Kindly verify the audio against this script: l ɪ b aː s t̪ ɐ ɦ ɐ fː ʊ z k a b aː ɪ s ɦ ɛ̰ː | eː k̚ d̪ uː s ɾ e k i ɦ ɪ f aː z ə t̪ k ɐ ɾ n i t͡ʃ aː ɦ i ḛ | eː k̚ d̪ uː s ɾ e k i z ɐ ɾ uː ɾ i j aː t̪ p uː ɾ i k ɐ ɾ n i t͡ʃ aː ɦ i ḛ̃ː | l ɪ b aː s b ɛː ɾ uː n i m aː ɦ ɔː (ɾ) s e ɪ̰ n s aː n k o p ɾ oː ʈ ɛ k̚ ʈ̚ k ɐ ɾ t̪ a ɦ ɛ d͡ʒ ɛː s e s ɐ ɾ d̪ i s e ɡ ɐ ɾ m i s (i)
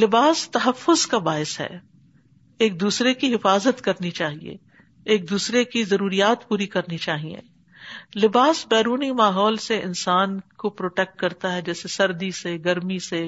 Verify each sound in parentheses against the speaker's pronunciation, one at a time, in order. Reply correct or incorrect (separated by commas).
incorrect, incorrect